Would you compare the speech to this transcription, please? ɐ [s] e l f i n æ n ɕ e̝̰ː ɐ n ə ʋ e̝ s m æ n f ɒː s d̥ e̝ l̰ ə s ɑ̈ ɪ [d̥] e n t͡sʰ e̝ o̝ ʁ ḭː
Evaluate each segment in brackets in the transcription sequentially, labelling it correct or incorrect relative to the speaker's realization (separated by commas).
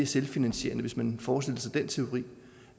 correct, correct